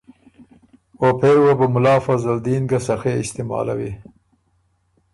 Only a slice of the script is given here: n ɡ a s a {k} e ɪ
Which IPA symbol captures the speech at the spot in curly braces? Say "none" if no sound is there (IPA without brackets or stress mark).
x